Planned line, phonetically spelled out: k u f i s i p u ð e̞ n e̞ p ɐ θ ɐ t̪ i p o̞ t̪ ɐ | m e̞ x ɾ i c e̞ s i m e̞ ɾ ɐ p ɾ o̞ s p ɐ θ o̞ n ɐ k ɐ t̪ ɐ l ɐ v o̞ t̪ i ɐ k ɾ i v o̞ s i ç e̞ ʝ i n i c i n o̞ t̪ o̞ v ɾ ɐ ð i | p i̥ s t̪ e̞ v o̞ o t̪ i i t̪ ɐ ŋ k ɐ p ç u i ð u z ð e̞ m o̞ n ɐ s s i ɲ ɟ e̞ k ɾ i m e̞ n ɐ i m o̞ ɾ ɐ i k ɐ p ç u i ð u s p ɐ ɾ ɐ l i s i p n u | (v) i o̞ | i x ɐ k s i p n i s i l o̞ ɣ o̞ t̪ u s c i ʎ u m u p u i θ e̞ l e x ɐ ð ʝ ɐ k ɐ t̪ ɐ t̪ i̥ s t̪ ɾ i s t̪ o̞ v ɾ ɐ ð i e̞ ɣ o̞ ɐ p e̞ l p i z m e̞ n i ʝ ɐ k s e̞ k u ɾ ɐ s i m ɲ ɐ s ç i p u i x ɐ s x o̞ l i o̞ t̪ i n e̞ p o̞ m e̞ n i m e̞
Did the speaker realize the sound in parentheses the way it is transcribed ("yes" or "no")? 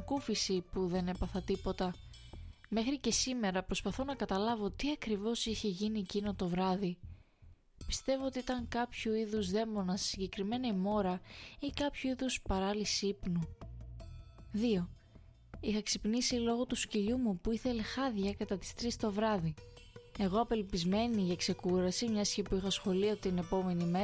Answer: no